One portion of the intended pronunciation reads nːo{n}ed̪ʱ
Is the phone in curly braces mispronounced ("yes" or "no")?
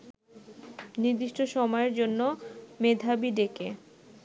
yes